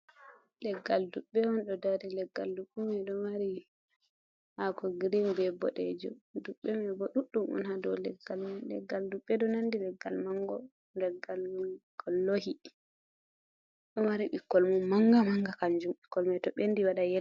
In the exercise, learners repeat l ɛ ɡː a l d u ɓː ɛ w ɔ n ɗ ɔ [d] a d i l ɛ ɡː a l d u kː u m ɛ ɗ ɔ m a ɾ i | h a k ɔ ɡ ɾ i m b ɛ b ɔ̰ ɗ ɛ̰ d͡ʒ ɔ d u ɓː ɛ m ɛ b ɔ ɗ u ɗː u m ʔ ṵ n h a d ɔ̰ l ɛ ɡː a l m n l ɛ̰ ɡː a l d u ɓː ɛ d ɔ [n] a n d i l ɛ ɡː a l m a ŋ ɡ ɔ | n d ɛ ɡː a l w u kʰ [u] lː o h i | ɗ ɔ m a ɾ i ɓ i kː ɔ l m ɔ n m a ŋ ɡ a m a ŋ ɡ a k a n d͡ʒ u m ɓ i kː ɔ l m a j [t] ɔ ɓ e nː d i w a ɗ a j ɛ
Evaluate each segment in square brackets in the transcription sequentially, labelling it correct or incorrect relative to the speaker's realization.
correct, correct, incorrect, correct

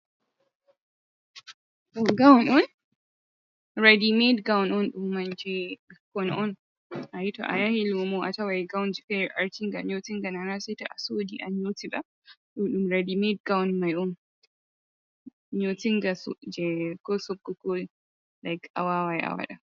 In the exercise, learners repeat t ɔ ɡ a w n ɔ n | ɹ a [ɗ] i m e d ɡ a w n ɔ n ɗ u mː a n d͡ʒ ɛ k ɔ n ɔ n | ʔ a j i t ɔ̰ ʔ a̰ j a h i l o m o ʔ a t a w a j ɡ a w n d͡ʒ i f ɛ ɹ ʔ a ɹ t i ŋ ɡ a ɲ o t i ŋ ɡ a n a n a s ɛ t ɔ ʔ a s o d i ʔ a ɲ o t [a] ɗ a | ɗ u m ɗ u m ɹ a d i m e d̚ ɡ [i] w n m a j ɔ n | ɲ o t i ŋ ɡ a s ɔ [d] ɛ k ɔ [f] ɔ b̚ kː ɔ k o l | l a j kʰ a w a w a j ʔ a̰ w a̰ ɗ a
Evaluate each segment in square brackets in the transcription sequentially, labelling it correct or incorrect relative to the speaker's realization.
incorrect, incorrect, incorrect, incorrect, incorrect

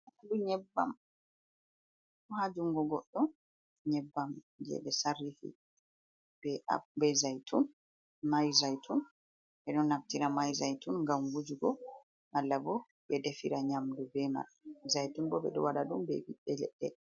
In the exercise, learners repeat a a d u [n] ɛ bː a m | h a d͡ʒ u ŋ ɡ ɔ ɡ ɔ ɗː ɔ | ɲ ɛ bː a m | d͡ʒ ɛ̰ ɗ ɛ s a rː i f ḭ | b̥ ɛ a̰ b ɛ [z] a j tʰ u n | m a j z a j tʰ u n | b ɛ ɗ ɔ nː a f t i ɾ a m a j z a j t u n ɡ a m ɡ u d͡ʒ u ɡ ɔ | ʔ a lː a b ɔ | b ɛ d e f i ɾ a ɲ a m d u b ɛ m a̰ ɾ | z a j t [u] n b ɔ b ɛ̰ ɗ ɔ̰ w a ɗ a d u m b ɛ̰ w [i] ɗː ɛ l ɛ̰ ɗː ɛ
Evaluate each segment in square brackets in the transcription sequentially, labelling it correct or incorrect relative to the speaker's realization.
incorrect, correct, correct, correct

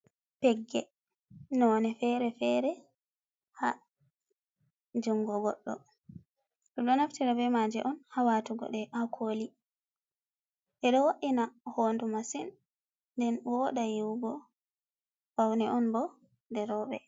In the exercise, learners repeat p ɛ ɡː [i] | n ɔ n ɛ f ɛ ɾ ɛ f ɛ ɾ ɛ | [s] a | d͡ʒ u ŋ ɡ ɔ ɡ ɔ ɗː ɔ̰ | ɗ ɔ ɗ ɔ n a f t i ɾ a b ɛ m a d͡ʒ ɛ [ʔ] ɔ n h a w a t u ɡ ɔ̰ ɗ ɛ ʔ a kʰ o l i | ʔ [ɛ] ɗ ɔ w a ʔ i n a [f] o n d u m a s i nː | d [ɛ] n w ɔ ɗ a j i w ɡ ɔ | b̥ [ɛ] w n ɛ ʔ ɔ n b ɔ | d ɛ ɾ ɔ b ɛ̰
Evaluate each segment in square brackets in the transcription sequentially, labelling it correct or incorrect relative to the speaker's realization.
incorrect, incorrect, correct, correct, incorrect, correct, incorrect

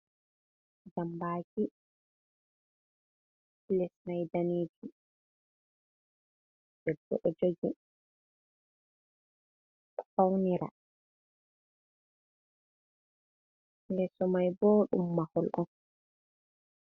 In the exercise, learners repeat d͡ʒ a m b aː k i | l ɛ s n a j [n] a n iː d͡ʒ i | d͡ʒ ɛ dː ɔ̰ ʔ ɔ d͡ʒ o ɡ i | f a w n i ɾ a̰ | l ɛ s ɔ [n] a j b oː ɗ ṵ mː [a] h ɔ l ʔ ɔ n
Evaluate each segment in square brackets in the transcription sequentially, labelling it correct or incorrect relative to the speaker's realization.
incorrect, incorrect, correct

